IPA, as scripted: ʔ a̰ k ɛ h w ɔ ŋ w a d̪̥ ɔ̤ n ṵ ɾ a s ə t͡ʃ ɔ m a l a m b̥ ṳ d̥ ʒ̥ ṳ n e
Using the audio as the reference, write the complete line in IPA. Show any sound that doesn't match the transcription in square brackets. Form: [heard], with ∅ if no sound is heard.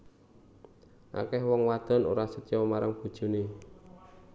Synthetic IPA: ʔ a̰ k ɛ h w ɔ ŋ w a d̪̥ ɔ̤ n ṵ ɾ a s ə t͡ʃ ɔ m a [ɾ] a [ŋ] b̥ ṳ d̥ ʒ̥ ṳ n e